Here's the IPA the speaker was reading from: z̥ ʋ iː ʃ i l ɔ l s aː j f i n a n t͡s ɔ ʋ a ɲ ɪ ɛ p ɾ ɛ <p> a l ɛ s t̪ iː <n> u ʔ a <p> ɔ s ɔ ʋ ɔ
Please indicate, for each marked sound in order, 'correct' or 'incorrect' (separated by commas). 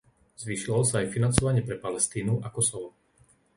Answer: correct, correct, incorrect